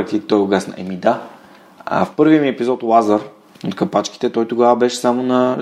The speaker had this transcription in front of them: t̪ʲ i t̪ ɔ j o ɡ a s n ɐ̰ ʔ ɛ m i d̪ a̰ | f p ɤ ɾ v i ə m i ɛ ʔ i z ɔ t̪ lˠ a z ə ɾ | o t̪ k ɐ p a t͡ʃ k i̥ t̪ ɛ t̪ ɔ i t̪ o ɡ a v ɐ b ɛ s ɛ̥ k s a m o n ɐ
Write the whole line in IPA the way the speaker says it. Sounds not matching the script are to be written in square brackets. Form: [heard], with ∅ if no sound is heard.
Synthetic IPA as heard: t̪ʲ i t̪ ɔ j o ɡ a s n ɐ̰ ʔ ɛ m i d̪ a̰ | f p ɤ ɾ v i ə m i ɛ [p] i z ɔ t̪ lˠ a z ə ɾ | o t̪ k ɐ p a t͡ʃ k i̥ t̪ ɛ t̪ ɔ [j] t̪ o ɡ a v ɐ b ɛ [ʃ] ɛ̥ [∅] s a m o n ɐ